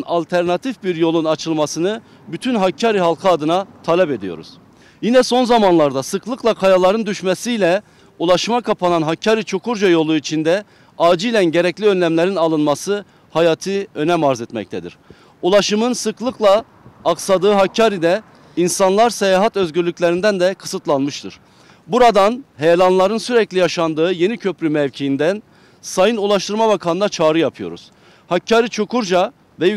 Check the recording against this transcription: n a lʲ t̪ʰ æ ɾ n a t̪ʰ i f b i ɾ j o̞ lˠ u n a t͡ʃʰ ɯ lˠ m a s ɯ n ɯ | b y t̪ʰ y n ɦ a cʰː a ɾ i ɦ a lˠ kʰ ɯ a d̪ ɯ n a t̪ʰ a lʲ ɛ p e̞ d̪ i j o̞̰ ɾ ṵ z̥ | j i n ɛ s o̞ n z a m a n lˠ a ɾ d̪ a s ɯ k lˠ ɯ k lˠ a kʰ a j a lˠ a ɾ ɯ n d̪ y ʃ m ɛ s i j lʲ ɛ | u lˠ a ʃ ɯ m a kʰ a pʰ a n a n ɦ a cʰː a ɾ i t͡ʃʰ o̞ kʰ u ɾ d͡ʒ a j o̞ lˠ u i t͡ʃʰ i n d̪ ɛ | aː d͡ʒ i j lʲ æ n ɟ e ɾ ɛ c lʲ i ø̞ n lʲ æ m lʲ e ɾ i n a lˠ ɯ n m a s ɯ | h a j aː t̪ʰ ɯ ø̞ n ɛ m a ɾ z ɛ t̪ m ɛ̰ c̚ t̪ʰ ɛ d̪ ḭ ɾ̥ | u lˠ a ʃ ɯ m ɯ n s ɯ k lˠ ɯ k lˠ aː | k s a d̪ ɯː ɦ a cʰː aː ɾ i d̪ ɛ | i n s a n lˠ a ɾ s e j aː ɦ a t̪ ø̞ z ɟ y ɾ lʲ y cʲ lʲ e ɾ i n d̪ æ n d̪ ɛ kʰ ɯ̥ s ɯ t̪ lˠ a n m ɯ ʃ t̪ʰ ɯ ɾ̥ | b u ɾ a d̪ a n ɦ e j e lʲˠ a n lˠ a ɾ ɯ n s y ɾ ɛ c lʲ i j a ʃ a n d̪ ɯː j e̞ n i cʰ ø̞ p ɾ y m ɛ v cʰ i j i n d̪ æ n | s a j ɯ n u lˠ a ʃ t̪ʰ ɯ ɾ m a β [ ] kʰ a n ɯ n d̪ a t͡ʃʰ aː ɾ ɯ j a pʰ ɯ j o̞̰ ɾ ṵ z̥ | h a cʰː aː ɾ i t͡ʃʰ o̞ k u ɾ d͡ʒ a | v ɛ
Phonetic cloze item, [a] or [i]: a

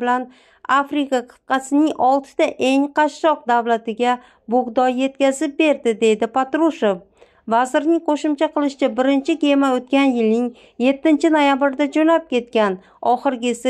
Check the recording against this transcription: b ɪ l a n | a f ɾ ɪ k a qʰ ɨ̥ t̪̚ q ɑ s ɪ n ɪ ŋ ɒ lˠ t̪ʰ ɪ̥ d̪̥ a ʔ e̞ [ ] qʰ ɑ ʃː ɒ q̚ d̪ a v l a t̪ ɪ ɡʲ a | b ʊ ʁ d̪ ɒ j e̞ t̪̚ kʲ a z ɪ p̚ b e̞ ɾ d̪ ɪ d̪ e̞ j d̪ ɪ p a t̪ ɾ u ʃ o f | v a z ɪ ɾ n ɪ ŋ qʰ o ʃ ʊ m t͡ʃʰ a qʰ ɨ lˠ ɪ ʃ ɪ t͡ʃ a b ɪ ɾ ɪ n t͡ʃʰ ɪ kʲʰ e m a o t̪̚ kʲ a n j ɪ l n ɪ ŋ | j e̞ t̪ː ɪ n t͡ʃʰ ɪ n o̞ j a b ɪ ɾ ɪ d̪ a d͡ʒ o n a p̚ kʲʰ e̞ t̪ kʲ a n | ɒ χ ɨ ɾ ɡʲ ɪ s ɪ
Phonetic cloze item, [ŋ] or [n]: ŋ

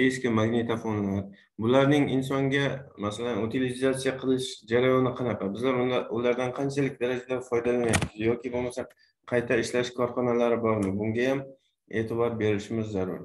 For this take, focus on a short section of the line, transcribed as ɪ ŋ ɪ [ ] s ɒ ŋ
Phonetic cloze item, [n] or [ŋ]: n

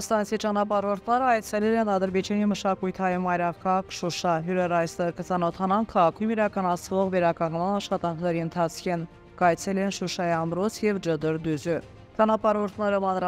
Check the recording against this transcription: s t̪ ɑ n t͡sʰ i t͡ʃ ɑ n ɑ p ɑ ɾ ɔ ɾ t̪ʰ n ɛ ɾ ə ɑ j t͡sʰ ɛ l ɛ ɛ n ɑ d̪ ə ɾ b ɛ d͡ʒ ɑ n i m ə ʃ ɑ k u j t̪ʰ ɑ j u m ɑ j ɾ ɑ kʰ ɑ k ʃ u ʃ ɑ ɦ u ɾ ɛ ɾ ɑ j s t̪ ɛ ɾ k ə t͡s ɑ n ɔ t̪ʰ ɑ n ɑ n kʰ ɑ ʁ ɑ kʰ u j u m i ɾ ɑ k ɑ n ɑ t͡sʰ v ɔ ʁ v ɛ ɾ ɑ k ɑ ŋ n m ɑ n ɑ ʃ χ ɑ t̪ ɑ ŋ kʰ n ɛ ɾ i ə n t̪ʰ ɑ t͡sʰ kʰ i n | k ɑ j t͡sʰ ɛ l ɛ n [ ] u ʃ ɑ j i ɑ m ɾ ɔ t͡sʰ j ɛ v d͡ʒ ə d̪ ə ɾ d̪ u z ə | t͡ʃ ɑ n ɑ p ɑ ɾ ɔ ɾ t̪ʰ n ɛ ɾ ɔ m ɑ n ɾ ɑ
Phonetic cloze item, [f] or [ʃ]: ʃ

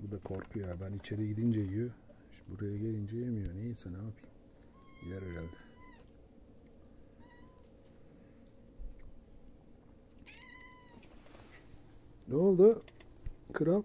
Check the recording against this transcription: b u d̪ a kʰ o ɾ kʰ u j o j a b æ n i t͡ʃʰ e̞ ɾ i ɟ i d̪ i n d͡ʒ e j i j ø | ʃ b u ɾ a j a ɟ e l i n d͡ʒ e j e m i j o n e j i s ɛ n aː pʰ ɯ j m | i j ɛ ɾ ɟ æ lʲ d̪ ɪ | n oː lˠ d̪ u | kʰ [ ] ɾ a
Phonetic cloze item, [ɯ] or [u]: ɯ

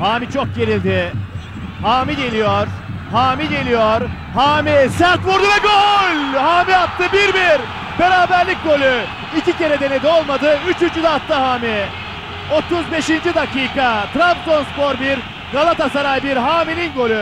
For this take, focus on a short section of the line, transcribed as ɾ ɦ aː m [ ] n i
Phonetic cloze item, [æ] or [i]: i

